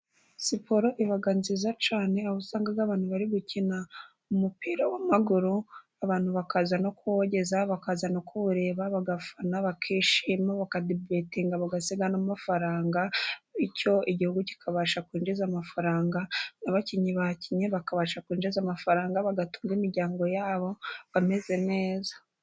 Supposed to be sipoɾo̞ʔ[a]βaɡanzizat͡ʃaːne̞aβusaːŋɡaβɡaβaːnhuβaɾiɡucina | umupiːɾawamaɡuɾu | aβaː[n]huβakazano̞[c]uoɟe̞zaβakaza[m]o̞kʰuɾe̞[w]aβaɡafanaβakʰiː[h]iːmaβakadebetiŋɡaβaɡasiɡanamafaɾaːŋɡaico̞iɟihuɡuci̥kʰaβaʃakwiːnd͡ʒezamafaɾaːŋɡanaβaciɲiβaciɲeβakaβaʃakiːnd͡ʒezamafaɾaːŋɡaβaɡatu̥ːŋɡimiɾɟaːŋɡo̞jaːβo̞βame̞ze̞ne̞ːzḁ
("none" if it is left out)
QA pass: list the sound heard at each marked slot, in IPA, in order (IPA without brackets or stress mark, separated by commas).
i, n, k, n, β, ʃ